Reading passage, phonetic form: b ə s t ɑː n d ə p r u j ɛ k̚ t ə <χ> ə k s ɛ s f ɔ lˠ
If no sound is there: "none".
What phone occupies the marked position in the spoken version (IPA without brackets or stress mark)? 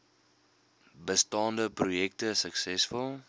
s